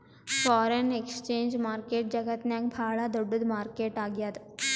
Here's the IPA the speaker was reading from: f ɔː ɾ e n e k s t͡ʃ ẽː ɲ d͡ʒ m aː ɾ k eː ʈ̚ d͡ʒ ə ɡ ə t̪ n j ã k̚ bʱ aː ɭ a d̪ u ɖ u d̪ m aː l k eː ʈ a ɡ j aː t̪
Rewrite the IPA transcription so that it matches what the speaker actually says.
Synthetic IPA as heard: f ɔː ɾ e n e k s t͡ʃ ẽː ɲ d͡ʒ m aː ɾ k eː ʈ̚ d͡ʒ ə ɡ ə t̪ n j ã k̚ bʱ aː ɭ a d̪ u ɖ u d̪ m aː ɾ k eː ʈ a ɡ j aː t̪